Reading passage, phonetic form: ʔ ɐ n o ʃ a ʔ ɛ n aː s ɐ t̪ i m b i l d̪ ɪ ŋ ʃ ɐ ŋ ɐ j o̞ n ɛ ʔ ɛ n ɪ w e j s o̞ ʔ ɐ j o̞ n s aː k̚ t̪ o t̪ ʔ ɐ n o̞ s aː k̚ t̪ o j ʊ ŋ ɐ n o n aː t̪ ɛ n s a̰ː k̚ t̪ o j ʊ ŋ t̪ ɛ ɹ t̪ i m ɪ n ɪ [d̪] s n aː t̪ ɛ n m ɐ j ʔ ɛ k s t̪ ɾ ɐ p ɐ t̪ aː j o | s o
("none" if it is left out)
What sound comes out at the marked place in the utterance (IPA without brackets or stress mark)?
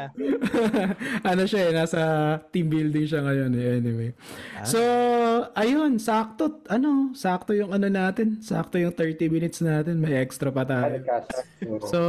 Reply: t̪